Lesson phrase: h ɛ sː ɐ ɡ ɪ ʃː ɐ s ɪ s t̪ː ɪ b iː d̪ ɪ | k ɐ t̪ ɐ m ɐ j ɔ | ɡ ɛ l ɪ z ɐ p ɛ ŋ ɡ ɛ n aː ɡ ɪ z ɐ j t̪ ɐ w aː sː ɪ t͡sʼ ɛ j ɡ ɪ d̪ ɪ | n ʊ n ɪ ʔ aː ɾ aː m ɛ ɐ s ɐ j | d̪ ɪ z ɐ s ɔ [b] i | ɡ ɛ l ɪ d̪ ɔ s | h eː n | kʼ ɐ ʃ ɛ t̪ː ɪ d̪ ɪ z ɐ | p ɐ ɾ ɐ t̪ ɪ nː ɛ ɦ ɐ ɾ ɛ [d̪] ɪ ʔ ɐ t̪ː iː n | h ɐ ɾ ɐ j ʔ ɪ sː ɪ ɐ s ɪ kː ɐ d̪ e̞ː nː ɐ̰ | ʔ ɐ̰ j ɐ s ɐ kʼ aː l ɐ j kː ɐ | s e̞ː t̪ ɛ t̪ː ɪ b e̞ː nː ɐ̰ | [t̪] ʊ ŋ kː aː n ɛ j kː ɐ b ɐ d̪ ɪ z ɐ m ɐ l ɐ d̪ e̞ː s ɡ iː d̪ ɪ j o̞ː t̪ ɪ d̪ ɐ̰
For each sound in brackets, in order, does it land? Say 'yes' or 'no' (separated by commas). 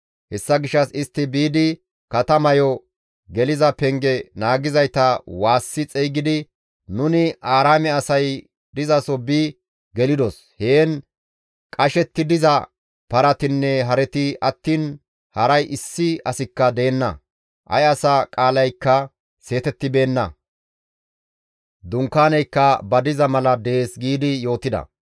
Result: yes, no, no